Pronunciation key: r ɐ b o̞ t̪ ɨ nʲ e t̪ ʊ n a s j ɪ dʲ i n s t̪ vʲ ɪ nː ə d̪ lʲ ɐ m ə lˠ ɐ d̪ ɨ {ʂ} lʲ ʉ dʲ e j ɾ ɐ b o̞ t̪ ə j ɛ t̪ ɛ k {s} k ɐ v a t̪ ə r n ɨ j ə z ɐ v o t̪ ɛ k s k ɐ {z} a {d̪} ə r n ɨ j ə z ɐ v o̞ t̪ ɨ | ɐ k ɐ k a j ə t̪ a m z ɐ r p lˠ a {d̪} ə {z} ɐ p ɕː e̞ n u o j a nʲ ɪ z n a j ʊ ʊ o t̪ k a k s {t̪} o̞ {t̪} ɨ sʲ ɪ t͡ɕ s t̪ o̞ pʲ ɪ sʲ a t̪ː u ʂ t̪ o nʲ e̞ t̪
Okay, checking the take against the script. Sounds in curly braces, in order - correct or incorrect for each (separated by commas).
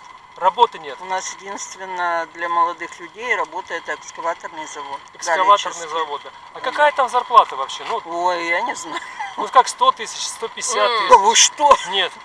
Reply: incorrect, correct, incorrect, incorrect, incorrect, incorrect, correct, correct